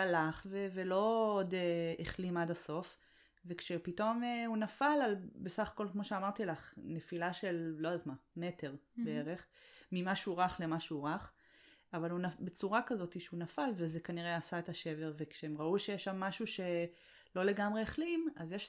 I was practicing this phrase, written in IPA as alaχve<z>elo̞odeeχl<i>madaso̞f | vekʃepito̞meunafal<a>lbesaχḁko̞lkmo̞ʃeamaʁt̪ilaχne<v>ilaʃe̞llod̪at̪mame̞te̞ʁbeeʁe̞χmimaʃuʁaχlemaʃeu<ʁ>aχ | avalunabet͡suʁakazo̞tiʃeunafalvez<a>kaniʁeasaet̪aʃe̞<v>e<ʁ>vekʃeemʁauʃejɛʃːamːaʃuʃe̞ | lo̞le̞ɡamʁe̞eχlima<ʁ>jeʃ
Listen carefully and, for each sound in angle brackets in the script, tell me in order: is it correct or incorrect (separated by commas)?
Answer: incorrect, correct, correct, incorrect, correct, incorrect, correct, correct, incorrect